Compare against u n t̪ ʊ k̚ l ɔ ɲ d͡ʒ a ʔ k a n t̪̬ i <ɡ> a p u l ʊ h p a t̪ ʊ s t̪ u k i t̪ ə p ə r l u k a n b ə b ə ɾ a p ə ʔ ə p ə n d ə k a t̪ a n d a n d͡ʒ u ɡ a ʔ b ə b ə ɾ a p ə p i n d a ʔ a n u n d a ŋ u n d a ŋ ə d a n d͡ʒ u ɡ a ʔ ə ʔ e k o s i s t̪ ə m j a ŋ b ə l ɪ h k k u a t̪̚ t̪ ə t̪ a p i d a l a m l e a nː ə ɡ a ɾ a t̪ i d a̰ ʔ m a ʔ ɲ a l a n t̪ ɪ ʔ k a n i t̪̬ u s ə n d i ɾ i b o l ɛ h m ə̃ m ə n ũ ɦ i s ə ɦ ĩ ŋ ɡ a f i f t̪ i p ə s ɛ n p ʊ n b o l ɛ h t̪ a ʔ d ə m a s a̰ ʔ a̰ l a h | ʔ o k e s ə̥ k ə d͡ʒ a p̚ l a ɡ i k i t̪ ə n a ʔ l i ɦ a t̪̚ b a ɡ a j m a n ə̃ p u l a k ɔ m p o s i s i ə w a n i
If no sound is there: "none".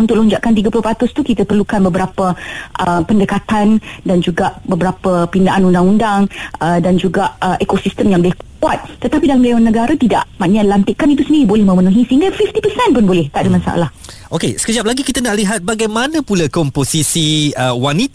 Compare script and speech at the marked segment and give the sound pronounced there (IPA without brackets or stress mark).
ɡ